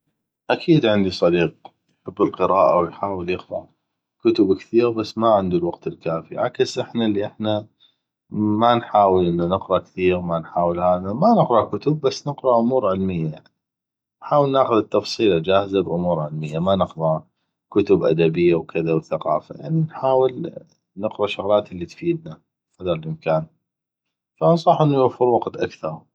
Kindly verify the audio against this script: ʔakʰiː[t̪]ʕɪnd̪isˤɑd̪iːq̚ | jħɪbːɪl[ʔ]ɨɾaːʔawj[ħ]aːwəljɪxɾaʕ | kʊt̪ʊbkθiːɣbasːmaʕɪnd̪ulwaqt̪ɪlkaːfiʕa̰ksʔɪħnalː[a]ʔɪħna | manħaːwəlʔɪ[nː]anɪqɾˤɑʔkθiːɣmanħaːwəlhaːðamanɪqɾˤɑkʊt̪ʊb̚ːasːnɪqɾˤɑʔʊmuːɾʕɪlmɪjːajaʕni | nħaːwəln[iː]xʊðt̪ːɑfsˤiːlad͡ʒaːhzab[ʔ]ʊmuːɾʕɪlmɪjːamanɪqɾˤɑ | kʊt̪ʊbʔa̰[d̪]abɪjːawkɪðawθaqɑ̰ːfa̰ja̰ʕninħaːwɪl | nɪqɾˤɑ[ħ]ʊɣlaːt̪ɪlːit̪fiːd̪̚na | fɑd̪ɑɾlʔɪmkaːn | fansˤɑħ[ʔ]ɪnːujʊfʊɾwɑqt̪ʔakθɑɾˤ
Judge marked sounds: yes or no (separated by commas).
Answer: no, no, yes, no, yes, no, yes, yes, no, yes